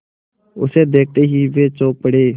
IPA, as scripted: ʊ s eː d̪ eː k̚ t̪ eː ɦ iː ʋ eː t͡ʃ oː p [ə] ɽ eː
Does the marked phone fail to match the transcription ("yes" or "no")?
no